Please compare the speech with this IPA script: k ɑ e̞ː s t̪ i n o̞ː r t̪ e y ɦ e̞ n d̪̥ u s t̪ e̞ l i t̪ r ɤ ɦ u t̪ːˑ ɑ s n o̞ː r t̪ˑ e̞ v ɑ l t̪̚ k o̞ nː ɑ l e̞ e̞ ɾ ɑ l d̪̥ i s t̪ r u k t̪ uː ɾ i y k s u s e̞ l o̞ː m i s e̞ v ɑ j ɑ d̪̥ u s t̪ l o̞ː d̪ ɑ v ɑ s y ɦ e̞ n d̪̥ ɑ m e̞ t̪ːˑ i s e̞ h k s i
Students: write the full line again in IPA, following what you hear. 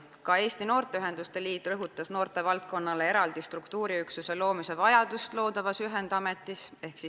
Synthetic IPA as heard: k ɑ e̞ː s t̪ i n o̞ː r t̪ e y ɦ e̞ n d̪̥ u s t̪ e̞ l iː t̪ r ɤ ɦ u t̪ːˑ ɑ s n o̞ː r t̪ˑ e̞ v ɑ l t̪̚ k o̞ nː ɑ l e̞ e̞ ɾ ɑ l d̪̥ i s t̪ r u k t̪ uː ɾ i y k s u s e̞ l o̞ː m i s e̞ v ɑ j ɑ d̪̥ u s t̪ l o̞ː d̪ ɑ v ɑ s y ɦ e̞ n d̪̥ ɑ m e̞ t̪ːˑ i s e̞ h k s i